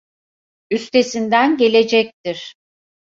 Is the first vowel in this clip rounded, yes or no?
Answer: yes